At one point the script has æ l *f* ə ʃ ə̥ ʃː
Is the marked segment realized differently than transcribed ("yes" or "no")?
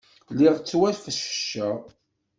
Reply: no